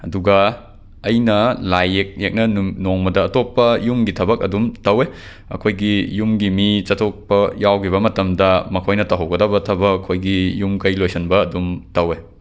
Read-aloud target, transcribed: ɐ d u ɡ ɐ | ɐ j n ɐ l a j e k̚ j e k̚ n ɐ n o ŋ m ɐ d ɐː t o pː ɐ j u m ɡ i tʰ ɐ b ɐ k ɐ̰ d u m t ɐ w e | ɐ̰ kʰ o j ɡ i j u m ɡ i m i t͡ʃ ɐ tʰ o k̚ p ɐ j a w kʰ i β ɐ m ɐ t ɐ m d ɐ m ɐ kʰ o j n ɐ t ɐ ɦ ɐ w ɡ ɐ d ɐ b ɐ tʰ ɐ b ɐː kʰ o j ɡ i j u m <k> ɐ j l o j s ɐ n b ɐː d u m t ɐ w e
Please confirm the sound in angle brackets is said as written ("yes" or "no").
yes